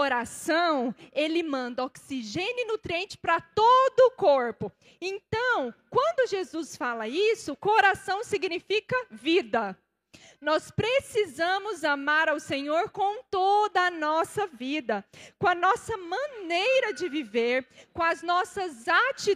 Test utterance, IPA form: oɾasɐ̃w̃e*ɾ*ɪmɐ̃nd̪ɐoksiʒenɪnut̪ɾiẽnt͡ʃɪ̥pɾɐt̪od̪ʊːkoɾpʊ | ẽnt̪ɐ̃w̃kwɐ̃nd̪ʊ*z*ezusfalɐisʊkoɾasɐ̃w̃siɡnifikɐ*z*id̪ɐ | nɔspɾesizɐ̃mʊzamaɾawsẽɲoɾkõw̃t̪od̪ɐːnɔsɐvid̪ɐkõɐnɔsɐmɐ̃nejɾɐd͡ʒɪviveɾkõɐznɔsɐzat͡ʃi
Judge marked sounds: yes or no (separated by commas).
no, no, no